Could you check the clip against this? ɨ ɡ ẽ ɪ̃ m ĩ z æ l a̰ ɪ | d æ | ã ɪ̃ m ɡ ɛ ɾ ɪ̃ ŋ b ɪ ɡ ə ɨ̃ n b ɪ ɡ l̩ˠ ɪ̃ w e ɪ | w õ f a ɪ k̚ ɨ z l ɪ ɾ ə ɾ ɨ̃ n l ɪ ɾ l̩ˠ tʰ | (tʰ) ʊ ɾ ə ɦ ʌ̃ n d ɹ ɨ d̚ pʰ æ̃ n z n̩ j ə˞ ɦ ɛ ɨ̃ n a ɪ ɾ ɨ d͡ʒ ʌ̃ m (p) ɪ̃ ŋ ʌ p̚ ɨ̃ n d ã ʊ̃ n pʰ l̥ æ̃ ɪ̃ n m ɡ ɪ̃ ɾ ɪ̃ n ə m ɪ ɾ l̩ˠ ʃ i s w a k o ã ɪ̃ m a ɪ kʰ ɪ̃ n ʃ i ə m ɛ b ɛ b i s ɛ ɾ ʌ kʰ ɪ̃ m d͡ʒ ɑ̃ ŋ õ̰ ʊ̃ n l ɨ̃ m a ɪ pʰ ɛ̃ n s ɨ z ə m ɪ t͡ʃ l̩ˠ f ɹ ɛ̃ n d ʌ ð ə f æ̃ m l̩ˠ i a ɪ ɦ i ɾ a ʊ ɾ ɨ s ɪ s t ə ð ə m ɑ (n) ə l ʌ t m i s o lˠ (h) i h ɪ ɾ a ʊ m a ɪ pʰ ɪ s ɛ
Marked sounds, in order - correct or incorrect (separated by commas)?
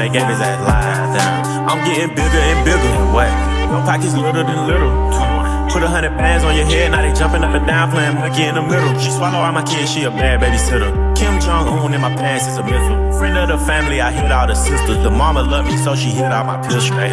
incorrect, correct, incorrect, incorrect